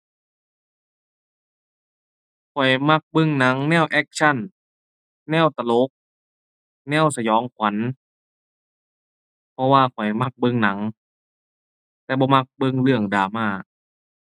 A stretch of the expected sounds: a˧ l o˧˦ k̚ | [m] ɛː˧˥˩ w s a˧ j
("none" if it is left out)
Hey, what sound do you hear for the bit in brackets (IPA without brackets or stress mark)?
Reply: n